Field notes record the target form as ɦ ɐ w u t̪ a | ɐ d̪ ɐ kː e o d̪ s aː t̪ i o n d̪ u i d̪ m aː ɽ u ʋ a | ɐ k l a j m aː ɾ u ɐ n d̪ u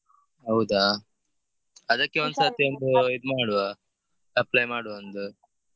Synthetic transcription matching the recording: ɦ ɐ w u d̪ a | ɐ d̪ ɐ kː e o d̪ s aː t̪ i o n d̪ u i d̪ m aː ɽ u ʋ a | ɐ p l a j m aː ɽ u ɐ n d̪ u